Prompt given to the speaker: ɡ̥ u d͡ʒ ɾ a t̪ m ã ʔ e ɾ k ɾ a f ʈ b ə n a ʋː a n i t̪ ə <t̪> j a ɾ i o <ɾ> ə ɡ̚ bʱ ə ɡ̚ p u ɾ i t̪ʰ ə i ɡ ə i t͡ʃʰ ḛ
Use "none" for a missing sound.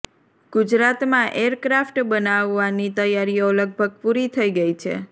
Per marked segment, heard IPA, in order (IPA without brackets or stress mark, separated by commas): none, l